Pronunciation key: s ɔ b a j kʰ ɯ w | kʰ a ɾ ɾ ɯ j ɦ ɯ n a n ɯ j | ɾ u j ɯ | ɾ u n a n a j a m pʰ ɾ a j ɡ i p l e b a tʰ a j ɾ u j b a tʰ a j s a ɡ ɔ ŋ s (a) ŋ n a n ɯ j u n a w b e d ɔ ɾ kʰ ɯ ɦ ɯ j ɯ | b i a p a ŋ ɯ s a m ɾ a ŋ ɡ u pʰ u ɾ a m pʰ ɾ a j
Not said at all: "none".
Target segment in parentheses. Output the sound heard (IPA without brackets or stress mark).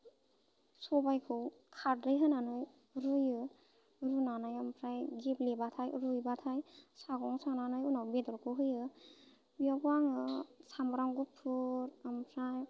a